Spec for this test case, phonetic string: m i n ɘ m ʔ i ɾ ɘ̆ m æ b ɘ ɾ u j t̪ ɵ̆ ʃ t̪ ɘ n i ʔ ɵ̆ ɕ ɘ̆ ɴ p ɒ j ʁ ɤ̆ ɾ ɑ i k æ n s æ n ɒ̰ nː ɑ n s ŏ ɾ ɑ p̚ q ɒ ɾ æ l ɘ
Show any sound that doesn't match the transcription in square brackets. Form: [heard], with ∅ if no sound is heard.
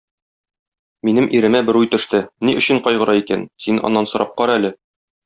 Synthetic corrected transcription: m i n ɘ m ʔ i ɾ ɘ̆ m æ b ɘ ɾ u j t̪ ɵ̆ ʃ t̪ ɘ n i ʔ ɵ̆ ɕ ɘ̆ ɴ [q] ɒ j ʁ ɤ̆ ɾ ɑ i k æ n s [i] n ɒ̰ nː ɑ n s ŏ ɾ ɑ p̚ q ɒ ɾ æ l ɘ